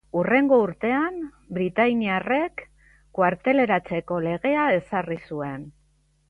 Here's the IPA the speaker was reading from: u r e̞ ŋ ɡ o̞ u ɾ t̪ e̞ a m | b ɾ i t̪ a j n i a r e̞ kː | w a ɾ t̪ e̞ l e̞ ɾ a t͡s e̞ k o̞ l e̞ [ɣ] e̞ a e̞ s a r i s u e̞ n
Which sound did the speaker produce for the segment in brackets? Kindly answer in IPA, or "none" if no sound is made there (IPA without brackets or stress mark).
ɣ